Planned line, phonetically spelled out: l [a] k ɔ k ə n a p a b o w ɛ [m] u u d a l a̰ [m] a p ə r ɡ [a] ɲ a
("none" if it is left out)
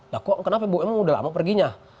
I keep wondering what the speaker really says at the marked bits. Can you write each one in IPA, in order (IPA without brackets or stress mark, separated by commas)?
a, m, m, i